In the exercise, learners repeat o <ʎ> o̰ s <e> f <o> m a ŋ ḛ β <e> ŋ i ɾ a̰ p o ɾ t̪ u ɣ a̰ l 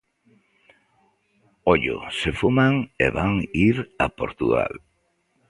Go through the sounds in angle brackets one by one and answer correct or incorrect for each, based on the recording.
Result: correct, correct, incorrect, incorrect

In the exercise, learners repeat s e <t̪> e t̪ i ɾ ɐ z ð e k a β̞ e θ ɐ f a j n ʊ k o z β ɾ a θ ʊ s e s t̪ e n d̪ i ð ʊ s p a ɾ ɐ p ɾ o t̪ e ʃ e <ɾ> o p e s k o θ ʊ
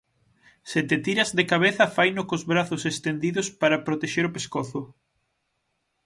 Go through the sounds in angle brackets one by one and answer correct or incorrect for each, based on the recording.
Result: correct, correct

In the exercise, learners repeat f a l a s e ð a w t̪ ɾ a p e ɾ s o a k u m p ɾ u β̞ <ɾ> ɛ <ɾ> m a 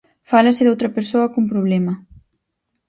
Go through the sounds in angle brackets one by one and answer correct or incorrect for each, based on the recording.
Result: incorrect, incorrect

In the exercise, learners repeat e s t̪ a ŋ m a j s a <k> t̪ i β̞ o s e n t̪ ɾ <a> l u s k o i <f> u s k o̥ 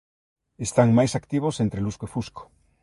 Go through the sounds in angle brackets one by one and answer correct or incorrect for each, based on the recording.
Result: correct, incorrect, correct

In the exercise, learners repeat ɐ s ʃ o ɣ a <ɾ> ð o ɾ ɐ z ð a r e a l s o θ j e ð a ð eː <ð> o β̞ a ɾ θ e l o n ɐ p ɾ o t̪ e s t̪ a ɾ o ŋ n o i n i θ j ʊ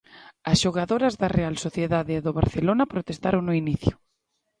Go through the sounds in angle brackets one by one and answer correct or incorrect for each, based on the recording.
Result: incorrect, correct

